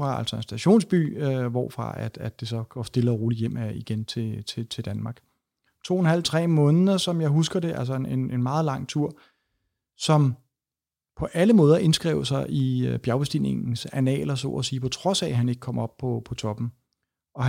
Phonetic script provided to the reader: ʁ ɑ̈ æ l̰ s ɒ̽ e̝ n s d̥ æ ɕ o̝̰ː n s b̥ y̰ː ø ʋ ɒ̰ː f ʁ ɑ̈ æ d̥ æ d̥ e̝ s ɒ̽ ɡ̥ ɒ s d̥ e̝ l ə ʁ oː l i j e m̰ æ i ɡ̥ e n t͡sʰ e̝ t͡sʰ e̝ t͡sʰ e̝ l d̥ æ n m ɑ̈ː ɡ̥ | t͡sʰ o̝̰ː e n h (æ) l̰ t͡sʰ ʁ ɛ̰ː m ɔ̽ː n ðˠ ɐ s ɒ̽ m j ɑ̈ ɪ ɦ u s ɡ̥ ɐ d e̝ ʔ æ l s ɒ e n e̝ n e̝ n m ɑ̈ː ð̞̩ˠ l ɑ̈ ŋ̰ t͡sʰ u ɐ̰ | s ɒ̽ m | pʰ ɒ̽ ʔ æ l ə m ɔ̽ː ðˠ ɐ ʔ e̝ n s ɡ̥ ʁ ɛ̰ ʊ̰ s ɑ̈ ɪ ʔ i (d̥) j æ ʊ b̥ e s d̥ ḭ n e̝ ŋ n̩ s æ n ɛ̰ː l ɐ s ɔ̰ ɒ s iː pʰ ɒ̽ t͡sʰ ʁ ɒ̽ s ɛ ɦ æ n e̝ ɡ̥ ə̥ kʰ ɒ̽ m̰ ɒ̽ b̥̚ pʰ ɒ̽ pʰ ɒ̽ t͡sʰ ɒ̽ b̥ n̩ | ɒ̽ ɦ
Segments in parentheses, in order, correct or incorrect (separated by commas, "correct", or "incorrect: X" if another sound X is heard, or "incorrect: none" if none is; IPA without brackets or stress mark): correct, incorrect: b̥